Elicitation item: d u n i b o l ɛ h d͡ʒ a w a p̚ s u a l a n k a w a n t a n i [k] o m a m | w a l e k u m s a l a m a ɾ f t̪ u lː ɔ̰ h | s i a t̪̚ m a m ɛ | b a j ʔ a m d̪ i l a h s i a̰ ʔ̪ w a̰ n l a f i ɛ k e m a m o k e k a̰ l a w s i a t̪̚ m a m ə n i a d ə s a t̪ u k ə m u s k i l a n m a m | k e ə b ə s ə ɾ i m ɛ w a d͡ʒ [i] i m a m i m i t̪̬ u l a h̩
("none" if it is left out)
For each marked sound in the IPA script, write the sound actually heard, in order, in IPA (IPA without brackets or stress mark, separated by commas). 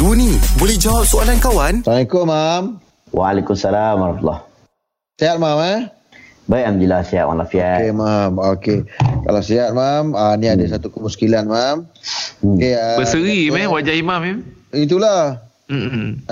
k, a